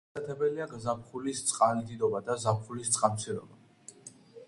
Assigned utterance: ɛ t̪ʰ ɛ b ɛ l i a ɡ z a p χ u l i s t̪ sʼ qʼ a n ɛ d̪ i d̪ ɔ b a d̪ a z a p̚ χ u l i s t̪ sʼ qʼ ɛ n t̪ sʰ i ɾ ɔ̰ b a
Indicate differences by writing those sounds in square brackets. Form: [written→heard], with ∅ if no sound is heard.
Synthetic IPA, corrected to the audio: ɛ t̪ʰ ɛ b ɛ l i a ɡ z a p χ u l i s t̪ sʼ qʼ a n [ɛ→i] d̪ i d̪ ɔ b a d̪ a z a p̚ χ u l i s t̪ sʼ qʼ [ɛ→a] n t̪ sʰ i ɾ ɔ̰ b a